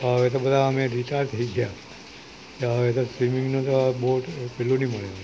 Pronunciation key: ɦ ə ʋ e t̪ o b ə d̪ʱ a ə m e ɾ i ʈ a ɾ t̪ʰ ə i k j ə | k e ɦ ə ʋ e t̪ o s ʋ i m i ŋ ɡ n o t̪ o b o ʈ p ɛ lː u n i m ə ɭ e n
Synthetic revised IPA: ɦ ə ʋ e t̪ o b ə d̪ʱ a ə m e ɾ i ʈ a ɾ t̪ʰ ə i ɡ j a | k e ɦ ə ʋ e t̪ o s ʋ i m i ŋ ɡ n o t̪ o b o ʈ p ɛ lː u n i m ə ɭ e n